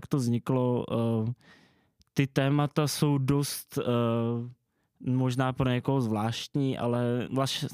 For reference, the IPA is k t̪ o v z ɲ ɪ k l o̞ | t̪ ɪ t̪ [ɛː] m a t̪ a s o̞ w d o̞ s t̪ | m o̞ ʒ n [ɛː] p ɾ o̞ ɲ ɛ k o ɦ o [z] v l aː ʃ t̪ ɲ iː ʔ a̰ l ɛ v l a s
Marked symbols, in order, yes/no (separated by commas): yes, no, yes